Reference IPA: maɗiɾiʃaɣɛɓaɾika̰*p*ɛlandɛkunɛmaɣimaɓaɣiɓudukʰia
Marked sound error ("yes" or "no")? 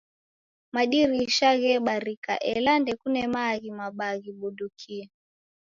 yes